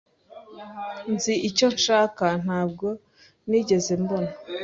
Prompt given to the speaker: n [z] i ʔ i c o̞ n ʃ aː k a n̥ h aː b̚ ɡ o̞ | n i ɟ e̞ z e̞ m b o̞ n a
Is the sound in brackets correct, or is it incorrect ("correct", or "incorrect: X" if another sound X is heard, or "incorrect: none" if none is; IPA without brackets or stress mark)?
correct